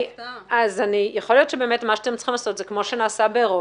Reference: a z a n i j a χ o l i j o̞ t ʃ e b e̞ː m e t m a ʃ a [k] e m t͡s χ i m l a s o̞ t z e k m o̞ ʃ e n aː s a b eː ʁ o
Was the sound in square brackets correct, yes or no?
no